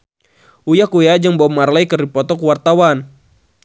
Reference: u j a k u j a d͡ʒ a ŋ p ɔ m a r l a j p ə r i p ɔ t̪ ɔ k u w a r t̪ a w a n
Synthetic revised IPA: u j a k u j a d͡ʒ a ŋ b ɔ m a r l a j k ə r i p ɔ t̪ ɔ k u w a r t̪ a w a n